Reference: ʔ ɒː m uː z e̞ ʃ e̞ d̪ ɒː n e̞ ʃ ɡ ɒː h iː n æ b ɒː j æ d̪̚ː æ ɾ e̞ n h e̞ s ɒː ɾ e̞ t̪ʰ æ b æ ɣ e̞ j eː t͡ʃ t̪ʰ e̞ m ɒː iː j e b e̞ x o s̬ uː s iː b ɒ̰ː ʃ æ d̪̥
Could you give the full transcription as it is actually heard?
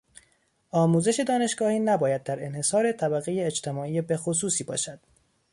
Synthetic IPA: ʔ ɒː m uː z e̞ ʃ e̞ d̪ ɒː n e̞ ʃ ɡ ɒː h iː n æ b ɒː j æ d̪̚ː æ ɾ e̞ n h e̞ s ɒː ɾ e̞ t̪ʰ æ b æ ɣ e̞ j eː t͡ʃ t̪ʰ e̞ m ɒː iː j e b e̞ x o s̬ uː s iː b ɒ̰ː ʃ æ d̪̥